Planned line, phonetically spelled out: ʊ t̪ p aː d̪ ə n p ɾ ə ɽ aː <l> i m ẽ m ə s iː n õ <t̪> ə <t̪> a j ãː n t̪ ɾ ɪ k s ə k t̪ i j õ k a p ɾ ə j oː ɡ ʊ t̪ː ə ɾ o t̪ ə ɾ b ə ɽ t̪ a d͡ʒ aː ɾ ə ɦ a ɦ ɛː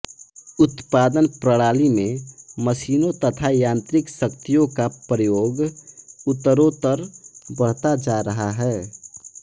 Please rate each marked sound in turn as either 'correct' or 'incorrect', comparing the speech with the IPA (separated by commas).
correct, correct, incorrect